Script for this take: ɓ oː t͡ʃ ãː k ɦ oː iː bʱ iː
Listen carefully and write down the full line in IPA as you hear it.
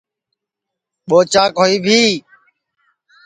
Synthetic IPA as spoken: ɓ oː t͡ʃ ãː k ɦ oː iː bʱ iː